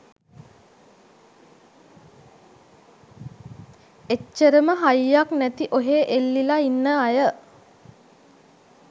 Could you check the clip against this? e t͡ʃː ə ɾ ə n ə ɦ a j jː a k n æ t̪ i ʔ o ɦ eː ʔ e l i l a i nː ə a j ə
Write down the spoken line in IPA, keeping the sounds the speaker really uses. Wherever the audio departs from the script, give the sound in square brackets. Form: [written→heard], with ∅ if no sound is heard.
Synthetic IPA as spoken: e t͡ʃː ə ɾ ə [n→m] ə ɦ a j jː a k n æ t̪ i ʔ o ɦ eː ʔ e [l→lː] i l a i nː ə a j ə